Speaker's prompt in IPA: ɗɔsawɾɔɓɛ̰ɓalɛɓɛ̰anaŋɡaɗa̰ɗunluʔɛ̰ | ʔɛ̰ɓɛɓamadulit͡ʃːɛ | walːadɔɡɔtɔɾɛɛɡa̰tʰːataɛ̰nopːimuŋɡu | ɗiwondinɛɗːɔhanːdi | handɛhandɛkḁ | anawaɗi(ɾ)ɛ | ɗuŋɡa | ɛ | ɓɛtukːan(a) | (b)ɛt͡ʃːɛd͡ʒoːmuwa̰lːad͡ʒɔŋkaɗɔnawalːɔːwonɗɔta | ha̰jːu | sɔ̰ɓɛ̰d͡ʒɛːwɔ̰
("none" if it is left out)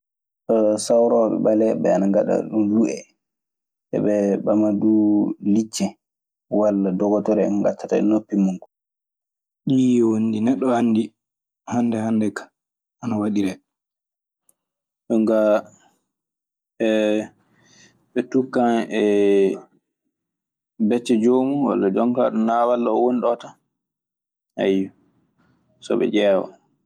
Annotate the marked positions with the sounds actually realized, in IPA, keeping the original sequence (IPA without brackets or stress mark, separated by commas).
ɾ, ɛ, b